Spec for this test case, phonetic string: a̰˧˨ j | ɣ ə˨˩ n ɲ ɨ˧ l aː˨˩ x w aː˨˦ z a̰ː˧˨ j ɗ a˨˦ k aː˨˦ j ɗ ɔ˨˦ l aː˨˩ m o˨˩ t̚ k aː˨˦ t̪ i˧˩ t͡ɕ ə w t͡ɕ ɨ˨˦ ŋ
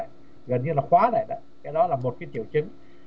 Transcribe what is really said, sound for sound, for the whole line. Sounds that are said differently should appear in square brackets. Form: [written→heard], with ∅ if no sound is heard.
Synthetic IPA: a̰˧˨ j | ɣ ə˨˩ n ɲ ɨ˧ l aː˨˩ x w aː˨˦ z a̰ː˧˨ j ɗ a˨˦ k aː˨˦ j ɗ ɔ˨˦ l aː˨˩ m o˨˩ t̚ k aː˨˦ t̪ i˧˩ [t͡ɕ→∅] ə w t͡ɕ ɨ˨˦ ŋ

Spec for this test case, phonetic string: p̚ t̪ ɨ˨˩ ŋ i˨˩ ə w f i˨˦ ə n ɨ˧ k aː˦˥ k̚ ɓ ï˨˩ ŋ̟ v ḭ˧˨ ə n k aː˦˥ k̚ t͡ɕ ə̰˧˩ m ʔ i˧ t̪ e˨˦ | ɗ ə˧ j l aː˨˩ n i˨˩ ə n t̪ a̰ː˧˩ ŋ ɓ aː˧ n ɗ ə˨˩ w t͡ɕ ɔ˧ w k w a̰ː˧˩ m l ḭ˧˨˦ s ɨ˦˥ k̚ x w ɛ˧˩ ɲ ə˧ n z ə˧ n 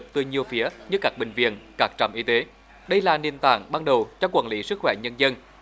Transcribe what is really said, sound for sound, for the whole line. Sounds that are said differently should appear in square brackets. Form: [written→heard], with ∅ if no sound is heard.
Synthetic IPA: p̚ t̪ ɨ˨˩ [ŋ→ɲ] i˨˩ ə w f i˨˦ ə [n→ɲ] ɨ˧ k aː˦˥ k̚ ɓ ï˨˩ ŋ̟ v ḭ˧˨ ə n k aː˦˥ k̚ t͡ɕ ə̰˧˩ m ʔ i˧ t̪ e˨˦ | ɗ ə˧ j l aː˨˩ n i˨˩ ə n t̪ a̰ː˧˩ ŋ ɓ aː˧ n ɗ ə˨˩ w t͡ɕ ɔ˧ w k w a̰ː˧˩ [m→n] l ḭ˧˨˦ s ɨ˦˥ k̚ x w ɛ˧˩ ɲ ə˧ n z ə˧ n

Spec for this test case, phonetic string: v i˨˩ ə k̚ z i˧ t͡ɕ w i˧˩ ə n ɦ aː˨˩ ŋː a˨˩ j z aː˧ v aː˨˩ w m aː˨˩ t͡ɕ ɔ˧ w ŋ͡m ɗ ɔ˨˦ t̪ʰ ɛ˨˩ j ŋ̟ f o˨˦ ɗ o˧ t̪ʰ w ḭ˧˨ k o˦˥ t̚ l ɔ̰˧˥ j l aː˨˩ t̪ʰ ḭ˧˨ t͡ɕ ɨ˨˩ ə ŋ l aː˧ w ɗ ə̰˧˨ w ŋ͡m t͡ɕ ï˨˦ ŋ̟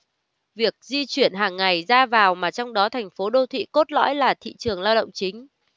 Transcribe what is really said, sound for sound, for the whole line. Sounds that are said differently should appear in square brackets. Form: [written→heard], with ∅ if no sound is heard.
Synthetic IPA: v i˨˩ ə k̚ z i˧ t͡ɕ w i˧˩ ə n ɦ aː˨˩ ŋː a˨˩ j z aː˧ v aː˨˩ w m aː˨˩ t͡ɕ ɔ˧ w ŋ͡m ɗ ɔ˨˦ t̪ʰ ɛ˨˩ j ŋ̟ f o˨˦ ɗ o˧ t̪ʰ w ḭ˧˨ k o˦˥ t̚ l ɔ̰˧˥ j l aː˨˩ t̪ʰ ḭ˧˨ t͡ɕ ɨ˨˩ ə ŋ l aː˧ w ɗ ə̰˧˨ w ŋ͡m t͡ɕ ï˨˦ ŋ̟

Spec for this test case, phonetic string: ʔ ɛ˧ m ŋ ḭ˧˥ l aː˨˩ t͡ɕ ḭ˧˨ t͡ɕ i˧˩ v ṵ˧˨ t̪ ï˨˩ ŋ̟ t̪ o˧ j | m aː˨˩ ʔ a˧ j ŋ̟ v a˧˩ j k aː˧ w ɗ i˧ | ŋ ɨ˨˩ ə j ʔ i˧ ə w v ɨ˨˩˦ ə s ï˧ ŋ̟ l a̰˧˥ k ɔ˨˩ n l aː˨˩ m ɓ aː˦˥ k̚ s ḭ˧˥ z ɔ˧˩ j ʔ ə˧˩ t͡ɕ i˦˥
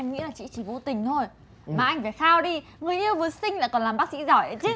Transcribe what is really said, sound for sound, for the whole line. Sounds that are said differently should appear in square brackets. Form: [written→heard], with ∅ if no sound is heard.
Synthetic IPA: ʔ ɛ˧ m ŋ ḭ˧˥ l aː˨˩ t͡ɕ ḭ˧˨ t͡ɕ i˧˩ v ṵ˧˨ t̪ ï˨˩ ŋ̟ [t̪→t̪ʰ] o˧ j | m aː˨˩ ʔ a˧ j ŋ̟ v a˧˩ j [k→x] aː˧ w ɗ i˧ | ŋ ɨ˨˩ ə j ʔ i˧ ə w v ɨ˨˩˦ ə s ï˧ ŋ̟ l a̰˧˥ k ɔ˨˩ n l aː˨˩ m ɓ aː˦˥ k̚ s ḭ˧˥ z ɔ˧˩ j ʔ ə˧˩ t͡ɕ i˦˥

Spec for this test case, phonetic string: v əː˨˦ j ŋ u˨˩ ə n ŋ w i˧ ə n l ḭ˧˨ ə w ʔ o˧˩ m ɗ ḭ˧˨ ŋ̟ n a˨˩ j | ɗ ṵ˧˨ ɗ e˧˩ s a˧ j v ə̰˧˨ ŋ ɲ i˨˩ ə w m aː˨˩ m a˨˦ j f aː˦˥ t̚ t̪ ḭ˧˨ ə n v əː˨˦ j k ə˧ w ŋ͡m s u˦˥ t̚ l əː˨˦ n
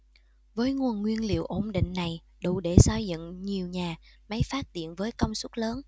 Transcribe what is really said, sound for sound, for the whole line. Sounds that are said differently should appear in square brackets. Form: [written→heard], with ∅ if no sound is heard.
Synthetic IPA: v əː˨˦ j ŋ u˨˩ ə n ŋ w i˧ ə n l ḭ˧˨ ə w ʔ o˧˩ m ɗ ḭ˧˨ ŋ̟ n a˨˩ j | ɗ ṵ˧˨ ɗ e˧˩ s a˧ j [v→z] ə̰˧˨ ŋ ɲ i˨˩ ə w [m→ɲ] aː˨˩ m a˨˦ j f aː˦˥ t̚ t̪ ḭ˧˨ ə n v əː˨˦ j k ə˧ w ŋ͡m s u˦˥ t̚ l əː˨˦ n

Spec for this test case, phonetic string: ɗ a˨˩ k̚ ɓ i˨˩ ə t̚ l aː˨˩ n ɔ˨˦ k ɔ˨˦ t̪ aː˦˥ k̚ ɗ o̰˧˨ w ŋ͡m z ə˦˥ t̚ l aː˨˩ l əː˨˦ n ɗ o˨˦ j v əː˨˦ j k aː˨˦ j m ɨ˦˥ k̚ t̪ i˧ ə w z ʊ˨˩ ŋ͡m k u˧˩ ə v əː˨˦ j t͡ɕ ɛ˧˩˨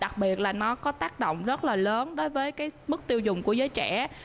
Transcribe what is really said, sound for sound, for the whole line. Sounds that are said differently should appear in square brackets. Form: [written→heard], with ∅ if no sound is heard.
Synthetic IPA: ɗ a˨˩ k̚ ɓ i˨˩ ə t̚ l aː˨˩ n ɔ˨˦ k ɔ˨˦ t̪ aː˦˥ k̚ ɗ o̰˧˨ w ŋ͡m z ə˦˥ t̚ l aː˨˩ l əː˨˦ n ɗ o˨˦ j v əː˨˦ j k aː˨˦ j m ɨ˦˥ k̚ t̪ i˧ ə w z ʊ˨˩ ŋ͡m k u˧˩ ə [v→z] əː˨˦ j t͡ɕ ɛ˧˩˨

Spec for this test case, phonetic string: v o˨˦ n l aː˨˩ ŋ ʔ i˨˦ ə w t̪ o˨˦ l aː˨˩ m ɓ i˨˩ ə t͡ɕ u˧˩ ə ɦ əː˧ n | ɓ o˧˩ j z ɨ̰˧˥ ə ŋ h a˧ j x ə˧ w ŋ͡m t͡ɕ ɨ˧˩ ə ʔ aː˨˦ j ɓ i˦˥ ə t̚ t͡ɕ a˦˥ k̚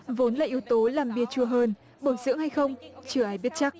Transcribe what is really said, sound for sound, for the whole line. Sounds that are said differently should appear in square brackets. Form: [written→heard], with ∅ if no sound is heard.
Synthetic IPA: v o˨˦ n l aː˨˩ [ŋ→∅] ʔ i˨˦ ə w t̪ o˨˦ l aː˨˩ m ɓ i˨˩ ə t͡ɕ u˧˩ ə ɦ əː˧ n | ɓ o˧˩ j z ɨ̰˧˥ ə ŋ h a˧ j x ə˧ w ŋ͡m t͡ɕ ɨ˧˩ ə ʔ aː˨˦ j ɓ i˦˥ ə t̚ t͡ɕ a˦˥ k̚

